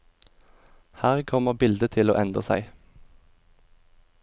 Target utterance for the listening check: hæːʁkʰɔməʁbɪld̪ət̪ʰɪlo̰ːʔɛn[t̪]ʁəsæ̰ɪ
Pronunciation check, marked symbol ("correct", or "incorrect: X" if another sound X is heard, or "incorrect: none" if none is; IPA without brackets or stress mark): incorrect: d̪